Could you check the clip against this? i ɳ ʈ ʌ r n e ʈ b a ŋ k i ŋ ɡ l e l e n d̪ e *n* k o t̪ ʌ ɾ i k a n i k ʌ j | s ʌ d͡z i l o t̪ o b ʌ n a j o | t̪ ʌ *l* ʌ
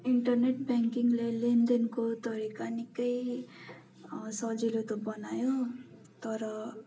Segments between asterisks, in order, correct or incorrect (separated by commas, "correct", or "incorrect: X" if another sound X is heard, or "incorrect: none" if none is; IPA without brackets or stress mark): correct, incorrect: ɾ